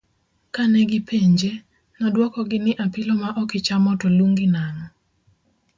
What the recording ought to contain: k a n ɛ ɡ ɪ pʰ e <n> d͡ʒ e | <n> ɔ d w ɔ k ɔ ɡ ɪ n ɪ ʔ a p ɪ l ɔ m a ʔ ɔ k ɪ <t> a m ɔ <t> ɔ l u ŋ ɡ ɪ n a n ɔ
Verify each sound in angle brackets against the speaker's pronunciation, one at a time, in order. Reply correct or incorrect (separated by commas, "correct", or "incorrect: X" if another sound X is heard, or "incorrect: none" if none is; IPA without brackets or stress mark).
incorrect: ɲ, correct, incorrect: t͡ʃ, correct